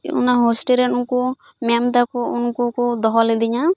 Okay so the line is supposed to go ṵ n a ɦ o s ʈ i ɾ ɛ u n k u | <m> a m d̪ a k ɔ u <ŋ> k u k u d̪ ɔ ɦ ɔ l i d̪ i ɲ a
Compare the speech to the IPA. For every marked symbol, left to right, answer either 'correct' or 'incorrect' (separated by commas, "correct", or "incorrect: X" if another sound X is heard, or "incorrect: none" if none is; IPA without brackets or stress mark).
correct, incorrect: n